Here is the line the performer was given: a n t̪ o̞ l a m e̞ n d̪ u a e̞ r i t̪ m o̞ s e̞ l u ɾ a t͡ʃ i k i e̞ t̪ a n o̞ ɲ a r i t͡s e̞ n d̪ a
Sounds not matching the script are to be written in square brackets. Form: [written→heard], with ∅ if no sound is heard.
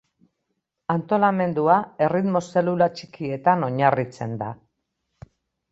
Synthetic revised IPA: a n t̪ o̞ l a m e̞ n d̪ u a e̞ r i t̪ m o̞ s e̞ l u [ɾ→l] a t͡ʃ i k i e̞ t̪ a n o̞ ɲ a r i t͡s e̞ n d̪ a